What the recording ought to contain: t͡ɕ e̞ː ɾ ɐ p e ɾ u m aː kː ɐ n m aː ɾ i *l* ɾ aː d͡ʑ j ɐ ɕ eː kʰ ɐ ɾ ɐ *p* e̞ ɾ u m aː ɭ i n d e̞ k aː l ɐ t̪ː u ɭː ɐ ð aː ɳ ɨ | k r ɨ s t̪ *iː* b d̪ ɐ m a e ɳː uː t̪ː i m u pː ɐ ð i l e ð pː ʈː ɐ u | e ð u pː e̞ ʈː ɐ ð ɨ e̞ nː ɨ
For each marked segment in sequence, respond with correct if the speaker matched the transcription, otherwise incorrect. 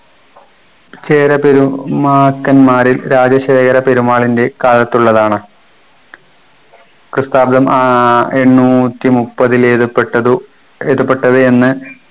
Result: correct, correct, incorrect

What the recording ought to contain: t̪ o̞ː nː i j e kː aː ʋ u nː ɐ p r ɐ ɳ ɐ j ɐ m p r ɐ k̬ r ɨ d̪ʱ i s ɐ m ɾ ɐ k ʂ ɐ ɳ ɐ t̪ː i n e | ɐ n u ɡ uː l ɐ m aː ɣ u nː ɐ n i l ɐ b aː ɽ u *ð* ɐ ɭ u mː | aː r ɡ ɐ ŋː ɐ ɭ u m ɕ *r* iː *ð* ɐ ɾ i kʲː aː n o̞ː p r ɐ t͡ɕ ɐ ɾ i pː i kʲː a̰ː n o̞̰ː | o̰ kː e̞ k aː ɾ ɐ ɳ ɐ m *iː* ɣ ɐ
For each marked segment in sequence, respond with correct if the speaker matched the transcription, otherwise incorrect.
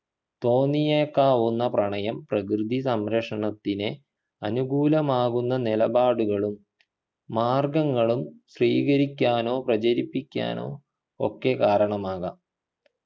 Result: incorrect, correct, incorrect, incorrect

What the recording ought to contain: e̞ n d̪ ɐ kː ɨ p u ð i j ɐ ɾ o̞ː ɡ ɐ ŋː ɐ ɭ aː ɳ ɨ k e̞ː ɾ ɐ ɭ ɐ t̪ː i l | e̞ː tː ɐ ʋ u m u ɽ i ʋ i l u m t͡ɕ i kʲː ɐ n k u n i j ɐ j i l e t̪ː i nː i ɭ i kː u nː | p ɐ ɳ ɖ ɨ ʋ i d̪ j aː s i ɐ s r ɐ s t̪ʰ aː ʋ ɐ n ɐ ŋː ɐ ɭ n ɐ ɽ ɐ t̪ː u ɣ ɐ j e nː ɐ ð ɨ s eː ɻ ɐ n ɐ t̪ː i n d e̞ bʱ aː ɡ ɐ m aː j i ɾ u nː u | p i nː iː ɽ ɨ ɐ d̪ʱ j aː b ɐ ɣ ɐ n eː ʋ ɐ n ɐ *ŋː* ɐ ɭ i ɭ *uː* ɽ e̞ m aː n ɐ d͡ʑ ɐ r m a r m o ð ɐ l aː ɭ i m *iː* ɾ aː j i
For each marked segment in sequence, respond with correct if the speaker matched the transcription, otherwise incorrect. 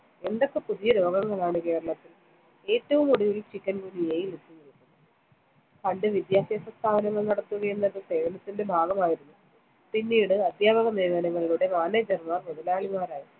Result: correct, incorrect, incorrect

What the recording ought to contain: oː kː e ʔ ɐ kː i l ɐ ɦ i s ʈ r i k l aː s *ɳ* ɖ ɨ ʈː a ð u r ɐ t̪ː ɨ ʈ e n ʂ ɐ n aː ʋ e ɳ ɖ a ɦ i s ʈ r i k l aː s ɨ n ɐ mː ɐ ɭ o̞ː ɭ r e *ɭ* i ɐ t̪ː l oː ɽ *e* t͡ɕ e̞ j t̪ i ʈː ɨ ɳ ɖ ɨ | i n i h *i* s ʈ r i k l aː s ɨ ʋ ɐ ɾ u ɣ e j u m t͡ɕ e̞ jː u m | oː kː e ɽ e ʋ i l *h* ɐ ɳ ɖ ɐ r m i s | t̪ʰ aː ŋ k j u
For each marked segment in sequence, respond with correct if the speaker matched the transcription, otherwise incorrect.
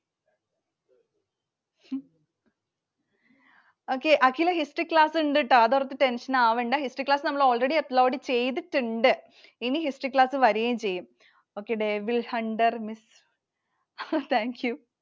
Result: correct, incorrect, incorrect, correct, correct

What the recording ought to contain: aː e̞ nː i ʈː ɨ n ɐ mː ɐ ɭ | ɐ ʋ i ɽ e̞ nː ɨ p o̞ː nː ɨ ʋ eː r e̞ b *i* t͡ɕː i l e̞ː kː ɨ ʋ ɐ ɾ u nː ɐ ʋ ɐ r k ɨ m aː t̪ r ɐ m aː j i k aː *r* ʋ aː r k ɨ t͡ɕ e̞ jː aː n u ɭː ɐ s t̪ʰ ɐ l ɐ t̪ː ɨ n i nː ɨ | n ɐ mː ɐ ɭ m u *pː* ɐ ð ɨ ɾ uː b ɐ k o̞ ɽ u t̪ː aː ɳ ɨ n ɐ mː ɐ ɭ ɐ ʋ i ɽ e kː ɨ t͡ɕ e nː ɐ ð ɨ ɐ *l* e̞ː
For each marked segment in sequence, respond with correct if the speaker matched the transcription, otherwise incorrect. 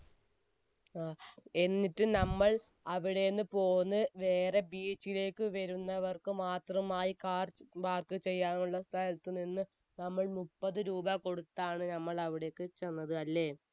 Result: incorrect, correct, correct, incorrect

